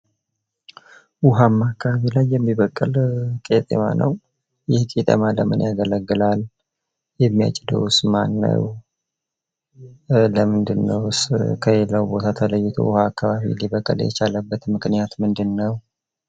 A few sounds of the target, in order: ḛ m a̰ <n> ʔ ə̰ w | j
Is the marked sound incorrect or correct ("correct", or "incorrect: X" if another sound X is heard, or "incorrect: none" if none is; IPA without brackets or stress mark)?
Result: correct